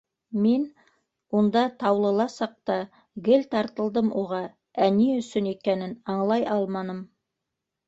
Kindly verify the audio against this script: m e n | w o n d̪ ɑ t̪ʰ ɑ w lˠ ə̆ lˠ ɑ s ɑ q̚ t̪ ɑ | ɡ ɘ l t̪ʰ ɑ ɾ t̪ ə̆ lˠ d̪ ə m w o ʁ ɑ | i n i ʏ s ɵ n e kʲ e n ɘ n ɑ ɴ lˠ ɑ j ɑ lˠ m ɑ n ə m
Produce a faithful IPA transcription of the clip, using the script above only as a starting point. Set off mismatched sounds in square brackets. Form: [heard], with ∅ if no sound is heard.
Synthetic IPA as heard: m e n | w o n d̪ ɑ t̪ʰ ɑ w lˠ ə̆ lˠ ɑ s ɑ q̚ t̪ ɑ | ɡ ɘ l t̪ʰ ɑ ɾ t̪ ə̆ lˠ d̪ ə m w o ʁ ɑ | [æ] n i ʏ s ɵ n e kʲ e n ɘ n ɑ ɴ lˠ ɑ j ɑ lˠ m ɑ n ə m